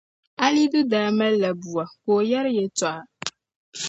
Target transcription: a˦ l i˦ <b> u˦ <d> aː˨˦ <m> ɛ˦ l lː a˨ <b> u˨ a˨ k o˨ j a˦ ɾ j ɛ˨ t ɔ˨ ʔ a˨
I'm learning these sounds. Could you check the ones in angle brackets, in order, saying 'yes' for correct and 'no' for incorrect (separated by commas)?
no, yes, yes, yes